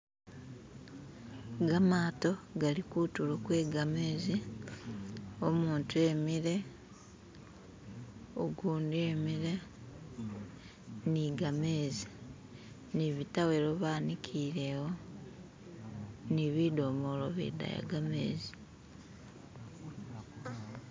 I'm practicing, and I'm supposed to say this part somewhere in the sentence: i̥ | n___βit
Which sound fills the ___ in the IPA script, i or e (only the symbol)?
i